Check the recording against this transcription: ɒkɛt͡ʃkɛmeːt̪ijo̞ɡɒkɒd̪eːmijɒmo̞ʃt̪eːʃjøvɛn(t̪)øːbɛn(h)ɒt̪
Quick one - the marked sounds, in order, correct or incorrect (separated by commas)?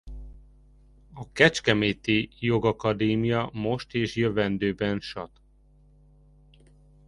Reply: incorrect, incorrect